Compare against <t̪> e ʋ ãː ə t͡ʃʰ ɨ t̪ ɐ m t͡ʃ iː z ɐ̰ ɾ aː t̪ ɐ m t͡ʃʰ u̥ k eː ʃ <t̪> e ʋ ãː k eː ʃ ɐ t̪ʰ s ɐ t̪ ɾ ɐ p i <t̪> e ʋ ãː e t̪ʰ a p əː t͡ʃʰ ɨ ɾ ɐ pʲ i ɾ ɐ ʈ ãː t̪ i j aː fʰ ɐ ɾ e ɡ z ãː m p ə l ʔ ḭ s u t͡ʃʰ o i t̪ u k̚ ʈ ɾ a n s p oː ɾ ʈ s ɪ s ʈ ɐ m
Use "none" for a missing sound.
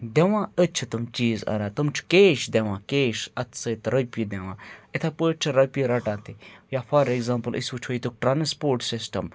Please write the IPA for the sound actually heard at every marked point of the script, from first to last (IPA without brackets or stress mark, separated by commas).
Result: d̪, d̪, d̪